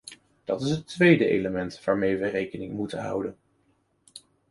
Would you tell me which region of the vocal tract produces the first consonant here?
tongue tip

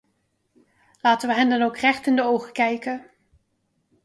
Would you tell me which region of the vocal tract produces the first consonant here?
tongue tip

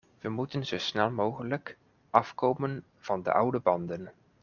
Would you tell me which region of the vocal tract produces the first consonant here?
lips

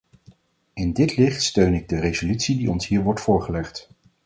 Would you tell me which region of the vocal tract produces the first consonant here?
tongue tip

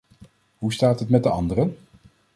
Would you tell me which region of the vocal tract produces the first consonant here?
throat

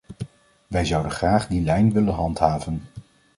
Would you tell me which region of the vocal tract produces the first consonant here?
lips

